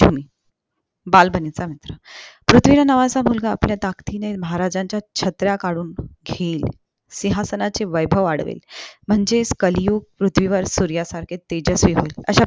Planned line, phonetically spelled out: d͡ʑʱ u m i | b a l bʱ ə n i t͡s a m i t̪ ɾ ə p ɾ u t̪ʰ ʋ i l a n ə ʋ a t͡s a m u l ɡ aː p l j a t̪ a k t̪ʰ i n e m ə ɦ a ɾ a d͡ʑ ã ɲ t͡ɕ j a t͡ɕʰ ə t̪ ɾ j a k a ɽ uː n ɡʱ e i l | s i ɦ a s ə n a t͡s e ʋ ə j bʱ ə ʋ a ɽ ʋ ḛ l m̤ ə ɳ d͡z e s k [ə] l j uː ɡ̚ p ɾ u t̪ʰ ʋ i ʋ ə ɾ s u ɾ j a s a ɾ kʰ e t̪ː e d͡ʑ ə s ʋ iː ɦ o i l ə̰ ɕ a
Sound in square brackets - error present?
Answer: no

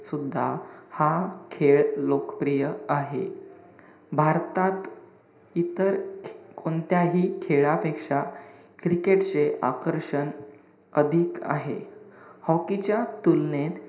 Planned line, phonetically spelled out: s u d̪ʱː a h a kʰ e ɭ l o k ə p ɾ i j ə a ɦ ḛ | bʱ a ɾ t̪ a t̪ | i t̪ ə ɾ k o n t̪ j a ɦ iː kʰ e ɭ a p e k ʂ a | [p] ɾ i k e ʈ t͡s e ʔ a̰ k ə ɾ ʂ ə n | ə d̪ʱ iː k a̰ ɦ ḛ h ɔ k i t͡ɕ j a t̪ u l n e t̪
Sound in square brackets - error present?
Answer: yes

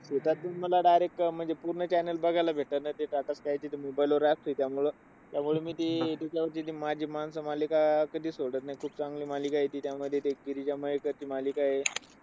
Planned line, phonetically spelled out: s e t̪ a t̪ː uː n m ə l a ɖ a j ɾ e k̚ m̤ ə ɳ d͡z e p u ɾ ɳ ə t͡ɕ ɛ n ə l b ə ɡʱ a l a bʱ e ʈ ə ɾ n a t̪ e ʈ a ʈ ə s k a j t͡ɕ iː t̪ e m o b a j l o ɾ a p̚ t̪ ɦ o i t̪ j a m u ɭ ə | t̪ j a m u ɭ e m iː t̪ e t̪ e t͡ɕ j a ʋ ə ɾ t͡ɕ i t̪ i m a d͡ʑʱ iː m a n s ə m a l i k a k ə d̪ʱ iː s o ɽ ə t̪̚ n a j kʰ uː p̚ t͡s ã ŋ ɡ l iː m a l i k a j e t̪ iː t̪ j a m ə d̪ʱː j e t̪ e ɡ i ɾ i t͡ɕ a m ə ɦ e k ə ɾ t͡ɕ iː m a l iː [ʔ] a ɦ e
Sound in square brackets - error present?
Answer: yes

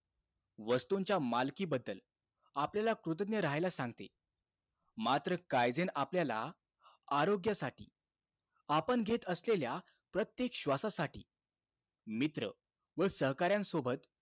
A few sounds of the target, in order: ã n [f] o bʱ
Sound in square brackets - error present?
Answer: yes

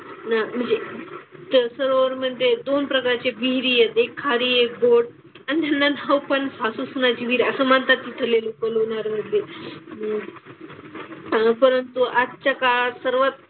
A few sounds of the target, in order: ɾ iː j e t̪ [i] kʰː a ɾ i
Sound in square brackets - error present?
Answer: yes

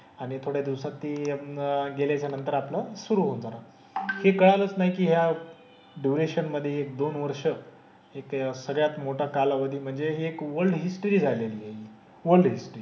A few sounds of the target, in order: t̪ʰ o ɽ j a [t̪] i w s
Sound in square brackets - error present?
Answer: yes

